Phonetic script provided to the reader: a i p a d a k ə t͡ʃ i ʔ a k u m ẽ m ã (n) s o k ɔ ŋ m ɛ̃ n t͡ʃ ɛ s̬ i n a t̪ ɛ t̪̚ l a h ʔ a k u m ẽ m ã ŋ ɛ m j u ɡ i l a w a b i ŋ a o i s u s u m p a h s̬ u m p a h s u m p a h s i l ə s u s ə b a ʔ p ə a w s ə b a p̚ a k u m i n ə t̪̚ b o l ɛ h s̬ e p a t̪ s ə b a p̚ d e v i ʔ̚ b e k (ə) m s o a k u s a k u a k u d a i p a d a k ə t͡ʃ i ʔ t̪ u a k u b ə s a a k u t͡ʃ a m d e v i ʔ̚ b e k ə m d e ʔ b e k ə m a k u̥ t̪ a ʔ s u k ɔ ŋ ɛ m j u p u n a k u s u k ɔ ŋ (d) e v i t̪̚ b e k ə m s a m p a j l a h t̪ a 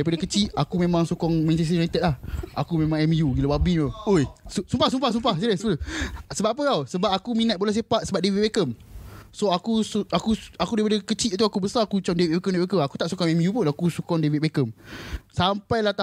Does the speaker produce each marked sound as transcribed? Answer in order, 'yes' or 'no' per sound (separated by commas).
no, yes, yes